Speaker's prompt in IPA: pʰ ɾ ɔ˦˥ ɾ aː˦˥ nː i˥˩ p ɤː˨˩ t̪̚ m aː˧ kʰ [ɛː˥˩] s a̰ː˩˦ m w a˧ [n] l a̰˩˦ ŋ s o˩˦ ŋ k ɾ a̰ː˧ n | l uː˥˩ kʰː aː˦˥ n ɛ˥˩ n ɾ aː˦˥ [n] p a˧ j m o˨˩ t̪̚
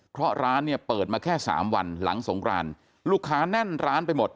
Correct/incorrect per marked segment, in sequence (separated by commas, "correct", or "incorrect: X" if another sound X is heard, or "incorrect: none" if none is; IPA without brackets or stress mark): correct, correct, correct